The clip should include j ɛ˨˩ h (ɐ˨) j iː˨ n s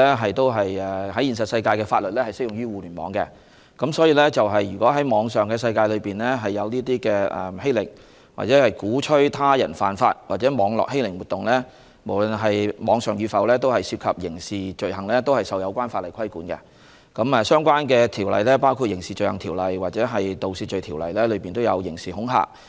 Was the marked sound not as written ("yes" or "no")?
yes